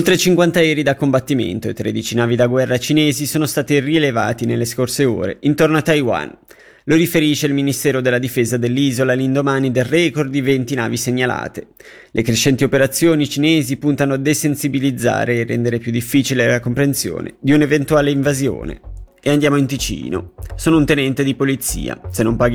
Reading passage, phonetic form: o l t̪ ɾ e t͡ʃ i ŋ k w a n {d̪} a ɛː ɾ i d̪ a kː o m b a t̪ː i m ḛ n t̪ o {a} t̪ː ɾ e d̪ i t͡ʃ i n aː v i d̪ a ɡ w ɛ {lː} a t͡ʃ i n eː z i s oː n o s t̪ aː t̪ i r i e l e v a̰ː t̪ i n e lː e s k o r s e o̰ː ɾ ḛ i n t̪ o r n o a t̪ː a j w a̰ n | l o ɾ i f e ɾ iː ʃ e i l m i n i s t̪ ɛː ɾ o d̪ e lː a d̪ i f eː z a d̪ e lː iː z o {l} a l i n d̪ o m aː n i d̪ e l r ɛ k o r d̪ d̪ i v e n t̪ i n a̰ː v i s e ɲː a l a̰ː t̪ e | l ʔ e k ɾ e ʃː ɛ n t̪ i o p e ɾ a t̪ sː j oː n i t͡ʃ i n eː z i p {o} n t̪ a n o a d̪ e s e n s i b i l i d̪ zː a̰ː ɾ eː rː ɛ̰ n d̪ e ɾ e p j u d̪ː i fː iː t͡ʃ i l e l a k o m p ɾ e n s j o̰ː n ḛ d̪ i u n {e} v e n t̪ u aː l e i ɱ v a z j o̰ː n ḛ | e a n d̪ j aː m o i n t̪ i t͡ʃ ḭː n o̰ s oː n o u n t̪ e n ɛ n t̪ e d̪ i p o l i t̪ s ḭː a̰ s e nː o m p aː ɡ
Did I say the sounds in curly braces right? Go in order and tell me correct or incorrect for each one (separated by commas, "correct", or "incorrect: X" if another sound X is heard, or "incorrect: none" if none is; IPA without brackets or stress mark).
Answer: incorrect: t̪, incorrect: e, incorrect: rː, correct, incorrect: u, correct